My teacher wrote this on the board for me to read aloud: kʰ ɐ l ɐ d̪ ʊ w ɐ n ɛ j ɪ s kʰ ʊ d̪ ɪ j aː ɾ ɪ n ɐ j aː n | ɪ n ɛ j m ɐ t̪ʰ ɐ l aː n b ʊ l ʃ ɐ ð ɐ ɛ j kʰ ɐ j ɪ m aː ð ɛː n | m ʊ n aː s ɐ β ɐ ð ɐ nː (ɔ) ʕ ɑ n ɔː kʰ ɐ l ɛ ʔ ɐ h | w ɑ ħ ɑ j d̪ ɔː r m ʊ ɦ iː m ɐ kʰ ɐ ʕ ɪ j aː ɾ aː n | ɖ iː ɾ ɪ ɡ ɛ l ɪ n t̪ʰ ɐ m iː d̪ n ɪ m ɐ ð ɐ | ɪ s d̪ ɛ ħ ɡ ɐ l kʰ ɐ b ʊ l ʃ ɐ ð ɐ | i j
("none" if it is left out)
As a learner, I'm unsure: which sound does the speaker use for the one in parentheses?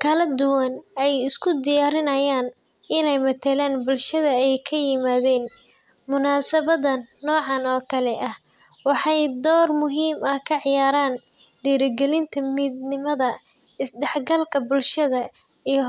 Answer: ɔː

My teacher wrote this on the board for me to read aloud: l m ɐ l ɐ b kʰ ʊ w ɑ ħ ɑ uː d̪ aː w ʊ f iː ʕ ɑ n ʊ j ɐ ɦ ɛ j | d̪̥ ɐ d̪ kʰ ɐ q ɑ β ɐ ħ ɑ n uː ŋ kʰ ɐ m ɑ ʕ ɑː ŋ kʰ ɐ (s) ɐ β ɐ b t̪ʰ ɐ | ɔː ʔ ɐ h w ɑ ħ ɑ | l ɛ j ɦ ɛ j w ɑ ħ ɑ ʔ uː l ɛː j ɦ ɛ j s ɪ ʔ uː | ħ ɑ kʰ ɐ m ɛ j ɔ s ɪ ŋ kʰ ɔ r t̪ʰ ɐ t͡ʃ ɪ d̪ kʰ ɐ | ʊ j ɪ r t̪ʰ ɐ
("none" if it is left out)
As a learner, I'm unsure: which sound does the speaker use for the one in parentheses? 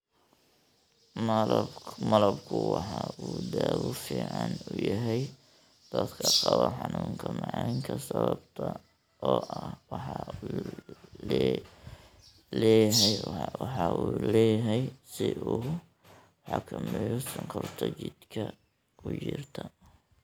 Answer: s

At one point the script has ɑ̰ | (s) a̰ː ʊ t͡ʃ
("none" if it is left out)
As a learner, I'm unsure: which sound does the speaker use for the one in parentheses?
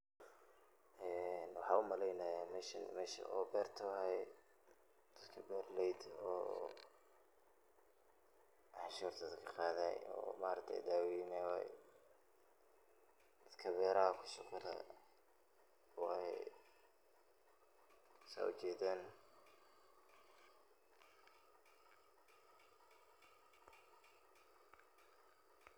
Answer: s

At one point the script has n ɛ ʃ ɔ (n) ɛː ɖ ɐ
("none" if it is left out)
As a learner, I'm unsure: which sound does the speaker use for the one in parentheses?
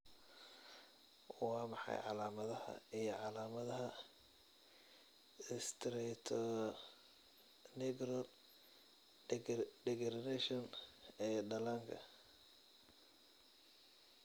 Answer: n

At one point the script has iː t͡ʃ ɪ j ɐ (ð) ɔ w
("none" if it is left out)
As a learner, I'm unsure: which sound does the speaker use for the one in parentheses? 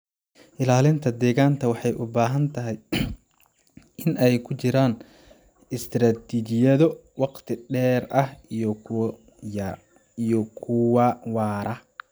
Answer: ð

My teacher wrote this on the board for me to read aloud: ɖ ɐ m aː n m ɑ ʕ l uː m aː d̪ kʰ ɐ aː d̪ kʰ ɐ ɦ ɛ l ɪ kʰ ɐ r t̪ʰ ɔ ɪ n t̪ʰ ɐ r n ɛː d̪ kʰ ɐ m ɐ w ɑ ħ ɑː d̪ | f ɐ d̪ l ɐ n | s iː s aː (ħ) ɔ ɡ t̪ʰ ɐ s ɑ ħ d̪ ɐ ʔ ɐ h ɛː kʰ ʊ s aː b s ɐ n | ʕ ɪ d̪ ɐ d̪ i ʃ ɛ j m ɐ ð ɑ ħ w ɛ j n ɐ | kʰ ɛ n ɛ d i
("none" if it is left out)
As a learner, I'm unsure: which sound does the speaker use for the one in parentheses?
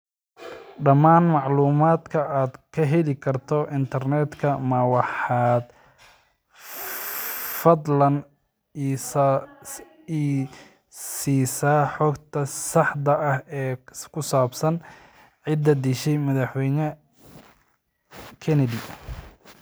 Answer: ħ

